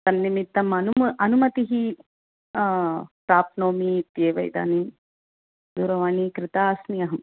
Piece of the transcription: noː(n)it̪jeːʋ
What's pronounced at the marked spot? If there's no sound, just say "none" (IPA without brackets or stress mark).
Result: m